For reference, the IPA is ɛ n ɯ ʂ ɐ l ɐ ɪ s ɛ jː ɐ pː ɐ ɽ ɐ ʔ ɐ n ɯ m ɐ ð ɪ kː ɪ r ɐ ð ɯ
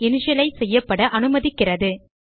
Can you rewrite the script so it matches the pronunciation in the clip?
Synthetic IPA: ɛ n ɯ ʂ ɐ l ɐ ɪ s ɛ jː ɐ pː ɐ ɽ ɐ ʔ ɐ n ɯ m ɐ ð ɪ kː ɪ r ɐ ð ɯ